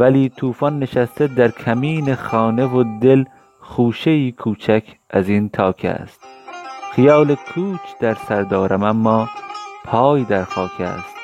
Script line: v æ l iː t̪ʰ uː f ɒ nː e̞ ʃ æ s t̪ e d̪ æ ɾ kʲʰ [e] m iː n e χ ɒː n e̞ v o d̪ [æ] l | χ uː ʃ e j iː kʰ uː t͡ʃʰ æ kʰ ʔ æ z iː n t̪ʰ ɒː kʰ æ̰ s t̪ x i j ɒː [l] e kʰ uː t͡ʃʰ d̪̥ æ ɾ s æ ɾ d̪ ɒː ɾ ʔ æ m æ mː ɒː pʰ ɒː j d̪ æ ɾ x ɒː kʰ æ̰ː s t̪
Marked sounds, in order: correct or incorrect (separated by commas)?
incorrect, incorrect, correct